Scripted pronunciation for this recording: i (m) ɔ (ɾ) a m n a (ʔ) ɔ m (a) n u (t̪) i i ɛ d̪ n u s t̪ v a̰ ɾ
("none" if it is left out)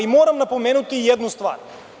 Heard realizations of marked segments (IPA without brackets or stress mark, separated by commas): m, ɾ, p, ɛ, t̪